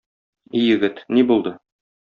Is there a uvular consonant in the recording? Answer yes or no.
no